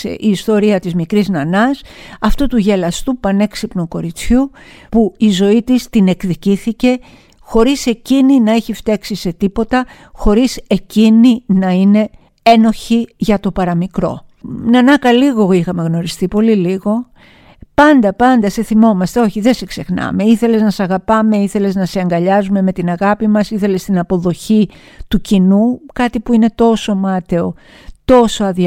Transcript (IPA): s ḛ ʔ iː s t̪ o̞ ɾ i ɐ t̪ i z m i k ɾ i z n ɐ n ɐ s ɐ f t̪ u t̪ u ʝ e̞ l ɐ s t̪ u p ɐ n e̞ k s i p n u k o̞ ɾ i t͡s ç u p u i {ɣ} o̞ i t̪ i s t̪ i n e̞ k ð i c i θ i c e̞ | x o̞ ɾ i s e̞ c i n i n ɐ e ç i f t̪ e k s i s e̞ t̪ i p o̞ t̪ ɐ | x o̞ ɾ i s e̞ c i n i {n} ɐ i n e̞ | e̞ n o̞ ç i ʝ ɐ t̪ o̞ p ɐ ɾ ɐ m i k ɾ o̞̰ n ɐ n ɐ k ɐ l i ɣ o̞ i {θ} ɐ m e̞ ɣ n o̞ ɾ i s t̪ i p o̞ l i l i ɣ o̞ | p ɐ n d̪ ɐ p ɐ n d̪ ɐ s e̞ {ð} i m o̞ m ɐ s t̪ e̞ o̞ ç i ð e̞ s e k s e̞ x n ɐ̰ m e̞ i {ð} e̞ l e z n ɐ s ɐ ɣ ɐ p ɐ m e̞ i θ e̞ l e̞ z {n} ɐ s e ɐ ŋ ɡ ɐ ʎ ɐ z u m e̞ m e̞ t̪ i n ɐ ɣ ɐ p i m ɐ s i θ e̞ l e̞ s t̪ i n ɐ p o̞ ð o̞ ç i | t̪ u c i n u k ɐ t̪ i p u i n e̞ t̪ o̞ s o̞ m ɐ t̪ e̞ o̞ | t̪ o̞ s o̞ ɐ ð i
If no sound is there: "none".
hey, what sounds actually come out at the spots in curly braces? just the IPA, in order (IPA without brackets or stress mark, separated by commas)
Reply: z, n, x, θ, θ, n